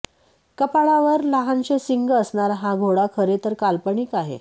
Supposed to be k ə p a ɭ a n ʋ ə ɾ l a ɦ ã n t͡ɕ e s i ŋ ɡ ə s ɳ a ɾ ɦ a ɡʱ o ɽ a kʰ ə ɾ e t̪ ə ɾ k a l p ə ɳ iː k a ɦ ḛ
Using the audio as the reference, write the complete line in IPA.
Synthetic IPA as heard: k ə p a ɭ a ʋ ə ɾ l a ɦ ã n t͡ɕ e s i ŋ ɡ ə s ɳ a ɾ ɦ a ɡʱ o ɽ a kʰ ə ɾ e t̪ ə ɾ k a l p ə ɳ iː k a ɦ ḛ